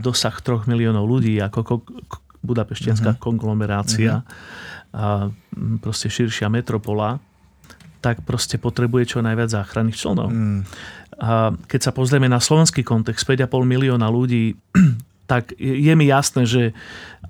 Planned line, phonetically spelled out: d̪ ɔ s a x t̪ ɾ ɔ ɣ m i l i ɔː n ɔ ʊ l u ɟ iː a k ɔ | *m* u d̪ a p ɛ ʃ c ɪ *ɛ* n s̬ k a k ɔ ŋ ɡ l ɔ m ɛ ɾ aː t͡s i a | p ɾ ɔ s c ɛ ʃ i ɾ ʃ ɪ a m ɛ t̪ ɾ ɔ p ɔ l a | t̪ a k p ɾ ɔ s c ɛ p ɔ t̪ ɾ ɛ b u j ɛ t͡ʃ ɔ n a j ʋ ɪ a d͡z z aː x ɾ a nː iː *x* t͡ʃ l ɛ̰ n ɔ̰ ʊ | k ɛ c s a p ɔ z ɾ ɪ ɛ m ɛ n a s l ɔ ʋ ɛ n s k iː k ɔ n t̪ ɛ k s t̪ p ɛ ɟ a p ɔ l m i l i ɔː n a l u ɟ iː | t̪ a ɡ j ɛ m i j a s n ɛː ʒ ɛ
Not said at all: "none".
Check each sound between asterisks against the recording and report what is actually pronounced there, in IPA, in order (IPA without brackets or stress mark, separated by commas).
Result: b, a, x